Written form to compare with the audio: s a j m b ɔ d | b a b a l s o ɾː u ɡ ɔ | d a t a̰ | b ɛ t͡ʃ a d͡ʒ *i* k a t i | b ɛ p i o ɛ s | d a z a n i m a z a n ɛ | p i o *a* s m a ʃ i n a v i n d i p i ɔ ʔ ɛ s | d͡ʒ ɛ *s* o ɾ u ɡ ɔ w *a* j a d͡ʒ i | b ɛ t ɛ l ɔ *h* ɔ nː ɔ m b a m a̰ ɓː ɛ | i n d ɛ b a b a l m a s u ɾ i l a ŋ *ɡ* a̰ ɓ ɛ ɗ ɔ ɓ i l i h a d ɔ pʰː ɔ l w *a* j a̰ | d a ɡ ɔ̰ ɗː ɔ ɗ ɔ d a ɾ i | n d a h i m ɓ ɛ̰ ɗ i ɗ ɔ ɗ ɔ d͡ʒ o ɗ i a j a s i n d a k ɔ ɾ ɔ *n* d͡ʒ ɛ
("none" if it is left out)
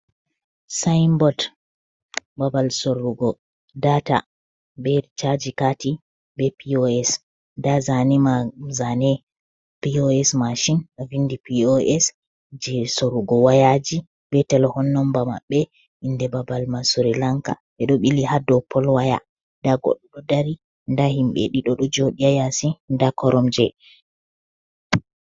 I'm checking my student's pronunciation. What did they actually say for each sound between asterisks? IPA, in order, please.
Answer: i, ɛ, s, a, h, k, a, m

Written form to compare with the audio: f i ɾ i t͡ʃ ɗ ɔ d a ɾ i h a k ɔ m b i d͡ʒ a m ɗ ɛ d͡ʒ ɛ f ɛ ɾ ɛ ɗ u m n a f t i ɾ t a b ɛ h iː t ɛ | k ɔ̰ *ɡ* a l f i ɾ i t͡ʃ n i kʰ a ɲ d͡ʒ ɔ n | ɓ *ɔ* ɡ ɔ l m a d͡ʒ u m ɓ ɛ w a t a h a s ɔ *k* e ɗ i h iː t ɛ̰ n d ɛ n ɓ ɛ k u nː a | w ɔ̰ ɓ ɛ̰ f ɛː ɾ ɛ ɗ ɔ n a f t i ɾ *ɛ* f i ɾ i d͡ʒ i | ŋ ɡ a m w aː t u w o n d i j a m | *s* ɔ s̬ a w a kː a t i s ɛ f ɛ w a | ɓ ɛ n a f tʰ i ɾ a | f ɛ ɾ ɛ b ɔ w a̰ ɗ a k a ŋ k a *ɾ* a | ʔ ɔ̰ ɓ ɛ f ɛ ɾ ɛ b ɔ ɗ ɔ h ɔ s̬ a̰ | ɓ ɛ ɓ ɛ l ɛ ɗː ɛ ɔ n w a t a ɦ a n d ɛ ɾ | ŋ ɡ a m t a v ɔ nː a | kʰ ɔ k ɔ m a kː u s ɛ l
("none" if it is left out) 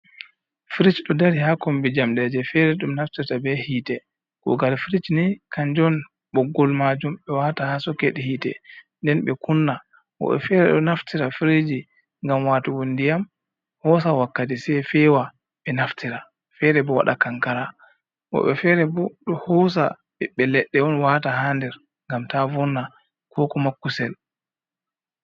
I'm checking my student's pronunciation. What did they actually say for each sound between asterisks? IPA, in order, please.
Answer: ɡ, ɔ, k, a, h, ɾ

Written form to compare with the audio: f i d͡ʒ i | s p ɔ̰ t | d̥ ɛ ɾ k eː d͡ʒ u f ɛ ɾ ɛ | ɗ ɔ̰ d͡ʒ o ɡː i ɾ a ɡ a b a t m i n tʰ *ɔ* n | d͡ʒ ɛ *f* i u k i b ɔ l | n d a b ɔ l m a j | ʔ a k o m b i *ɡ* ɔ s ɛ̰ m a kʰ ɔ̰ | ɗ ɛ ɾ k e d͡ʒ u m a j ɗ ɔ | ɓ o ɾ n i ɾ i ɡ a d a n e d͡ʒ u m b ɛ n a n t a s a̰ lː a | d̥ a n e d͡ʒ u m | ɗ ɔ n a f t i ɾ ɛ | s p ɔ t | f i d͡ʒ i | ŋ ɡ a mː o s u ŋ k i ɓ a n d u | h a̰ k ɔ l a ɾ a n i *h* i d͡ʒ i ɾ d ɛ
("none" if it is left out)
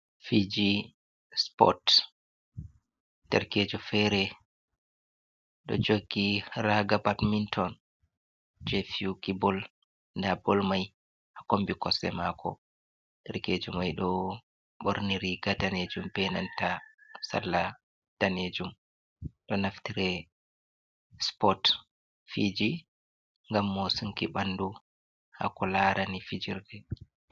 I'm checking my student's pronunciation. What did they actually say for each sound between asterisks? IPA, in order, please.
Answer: ɔ, f, k, f

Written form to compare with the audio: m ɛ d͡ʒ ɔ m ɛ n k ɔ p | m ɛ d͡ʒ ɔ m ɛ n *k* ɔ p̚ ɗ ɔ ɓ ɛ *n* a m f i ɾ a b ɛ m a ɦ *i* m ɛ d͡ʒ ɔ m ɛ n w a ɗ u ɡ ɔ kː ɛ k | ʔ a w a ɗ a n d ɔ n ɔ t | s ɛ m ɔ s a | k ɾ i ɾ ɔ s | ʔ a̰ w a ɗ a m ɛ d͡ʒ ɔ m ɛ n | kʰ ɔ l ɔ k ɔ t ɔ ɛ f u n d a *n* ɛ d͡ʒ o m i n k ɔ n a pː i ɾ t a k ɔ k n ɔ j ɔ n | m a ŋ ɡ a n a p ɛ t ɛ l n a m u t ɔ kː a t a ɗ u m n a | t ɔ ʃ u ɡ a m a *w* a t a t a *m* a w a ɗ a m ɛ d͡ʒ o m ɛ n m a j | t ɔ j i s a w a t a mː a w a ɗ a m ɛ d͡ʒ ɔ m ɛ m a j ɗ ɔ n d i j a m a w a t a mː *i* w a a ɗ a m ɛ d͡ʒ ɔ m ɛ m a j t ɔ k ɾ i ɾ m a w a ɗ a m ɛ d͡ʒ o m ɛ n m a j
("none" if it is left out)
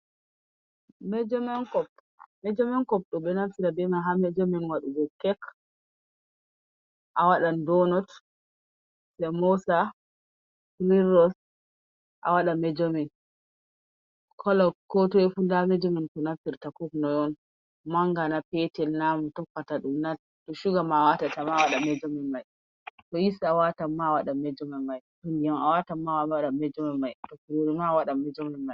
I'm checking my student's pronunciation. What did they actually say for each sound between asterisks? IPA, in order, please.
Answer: k, n, a, m, w, m, a

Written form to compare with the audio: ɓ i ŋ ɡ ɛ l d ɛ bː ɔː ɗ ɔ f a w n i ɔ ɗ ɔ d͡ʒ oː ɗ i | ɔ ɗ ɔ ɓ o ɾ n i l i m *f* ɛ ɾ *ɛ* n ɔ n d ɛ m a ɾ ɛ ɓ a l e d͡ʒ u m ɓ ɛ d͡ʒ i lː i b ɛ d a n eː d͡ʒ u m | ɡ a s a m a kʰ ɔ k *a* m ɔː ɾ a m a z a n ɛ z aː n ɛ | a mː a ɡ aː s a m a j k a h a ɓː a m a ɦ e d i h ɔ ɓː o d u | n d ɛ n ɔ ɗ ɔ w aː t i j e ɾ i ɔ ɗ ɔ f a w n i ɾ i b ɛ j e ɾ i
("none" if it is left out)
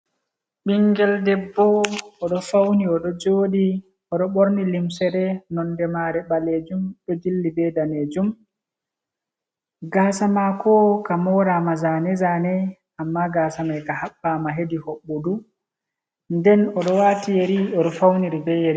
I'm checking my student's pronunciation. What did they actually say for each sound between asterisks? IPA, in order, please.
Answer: s, ɛ, a

